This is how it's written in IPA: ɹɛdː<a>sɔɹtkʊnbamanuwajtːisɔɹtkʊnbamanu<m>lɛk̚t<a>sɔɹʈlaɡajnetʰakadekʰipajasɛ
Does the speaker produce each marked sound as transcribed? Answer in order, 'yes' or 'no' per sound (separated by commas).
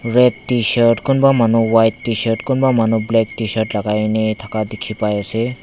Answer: no, no, no